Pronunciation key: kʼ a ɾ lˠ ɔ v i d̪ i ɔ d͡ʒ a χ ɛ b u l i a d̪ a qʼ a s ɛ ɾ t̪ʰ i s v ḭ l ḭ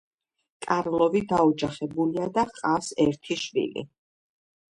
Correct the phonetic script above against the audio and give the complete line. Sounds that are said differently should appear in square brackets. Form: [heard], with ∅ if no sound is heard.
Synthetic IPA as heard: kʼ a ɾ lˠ ɔ v i d̪ [a] ɔ d͡ʒ a χ ɛ b u l i a d̪ a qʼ a s ɛ ɾ t̪ʰ i [ʃ] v ḭ l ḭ